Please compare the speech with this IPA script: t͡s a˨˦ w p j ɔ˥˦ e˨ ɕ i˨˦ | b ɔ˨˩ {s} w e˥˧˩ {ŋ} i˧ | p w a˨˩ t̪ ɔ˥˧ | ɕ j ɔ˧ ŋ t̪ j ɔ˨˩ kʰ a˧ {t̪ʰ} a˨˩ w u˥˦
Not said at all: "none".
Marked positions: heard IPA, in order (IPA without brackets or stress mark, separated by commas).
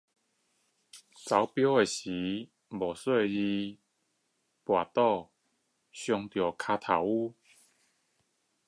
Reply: s, none, t̪ʰ